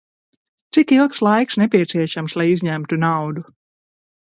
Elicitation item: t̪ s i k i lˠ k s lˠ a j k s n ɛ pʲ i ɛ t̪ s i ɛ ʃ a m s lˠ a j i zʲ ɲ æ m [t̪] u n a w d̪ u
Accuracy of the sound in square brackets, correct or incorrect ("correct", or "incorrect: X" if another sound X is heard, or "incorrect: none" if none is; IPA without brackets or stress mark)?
correct